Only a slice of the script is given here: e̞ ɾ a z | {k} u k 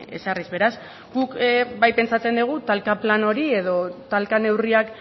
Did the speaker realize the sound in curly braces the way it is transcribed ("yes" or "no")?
no